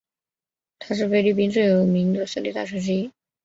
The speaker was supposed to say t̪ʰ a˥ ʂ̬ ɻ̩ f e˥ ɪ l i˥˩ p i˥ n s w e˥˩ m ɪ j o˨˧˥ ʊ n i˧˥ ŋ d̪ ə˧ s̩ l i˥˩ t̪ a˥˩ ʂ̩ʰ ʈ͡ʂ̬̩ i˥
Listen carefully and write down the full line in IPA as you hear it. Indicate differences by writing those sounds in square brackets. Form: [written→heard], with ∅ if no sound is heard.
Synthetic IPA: t̪ʰ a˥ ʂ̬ ɻ̩ f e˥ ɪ l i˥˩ p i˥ n [s→t͡s] w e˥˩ [m→∅] ɪ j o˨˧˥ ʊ [n→m] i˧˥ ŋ d̪ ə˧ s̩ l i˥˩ t̪ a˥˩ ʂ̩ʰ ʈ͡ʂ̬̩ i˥